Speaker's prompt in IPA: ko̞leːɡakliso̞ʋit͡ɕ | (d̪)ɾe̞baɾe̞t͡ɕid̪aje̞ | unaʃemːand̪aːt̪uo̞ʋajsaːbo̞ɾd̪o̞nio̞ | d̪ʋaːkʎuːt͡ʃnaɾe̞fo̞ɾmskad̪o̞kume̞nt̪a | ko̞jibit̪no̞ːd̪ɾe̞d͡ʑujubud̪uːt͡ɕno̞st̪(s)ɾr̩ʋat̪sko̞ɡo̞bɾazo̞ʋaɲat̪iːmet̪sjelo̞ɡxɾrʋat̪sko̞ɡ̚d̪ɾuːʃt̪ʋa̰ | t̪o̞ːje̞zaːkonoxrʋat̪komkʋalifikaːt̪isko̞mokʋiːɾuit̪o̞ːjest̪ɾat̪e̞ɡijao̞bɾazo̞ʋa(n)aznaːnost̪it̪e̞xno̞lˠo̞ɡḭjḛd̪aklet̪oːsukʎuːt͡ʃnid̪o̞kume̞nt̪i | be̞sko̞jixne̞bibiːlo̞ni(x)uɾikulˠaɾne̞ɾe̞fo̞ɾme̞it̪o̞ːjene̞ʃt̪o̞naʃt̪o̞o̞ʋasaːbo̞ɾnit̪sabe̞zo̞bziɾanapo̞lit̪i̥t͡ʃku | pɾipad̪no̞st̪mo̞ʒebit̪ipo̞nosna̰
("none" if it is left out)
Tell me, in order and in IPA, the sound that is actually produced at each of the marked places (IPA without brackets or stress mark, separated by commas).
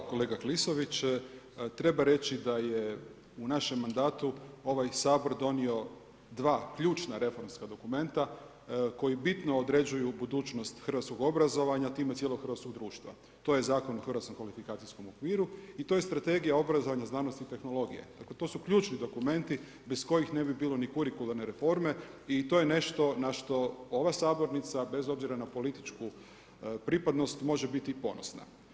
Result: t̪, x, ɲ, k